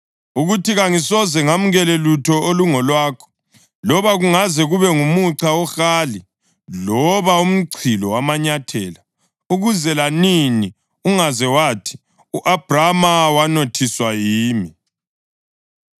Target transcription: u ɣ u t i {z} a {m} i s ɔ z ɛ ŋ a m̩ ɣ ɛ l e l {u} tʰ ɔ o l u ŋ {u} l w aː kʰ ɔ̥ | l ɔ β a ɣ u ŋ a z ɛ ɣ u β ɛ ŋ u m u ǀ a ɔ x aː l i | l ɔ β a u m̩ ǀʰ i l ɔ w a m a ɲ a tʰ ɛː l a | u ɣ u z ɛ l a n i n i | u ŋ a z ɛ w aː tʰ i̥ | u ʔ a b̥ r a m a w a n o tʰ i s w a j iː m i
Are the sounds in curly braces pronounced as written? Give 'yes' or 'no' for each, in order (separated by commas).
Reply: no, no, yes, no